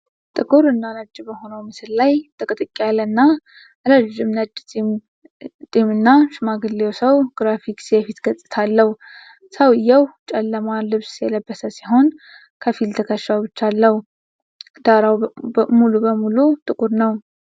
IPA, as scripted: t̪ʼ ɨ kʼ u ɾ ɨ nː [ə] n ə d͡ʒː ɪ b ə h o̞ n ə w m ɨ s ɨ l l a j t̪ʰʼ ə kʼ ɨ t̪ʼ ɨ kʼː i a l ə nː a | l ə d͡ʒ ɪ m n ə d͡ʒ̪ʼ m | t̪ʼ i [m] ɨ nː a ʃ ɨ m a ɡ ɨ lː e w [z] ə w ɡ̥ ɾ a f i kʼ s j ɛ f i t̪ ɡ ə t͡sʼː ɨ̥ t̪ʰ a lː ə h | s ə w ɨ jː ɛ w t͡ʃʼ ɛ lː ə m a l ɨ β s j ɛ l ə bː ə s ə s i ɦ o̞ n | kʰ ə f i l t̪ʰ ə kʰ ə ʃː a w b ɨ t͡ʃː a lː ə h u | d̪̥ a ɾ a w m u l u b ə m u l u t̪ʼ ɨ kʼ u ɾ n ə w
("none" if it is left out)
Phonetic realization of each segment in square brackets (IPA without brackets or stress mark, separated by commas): a, m, s